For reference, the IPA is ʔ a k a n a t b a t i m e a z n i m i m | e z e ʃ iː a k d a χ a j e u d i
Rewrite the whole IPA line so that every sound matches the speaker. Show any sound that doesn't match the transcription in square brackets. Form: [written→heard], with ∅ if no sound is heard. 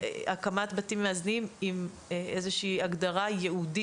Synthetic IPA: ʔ a k a [n→m] a t b a t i m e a z n i m i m | e z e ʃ iː a [k→ɡ] d a [χ→ʁ] a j e u d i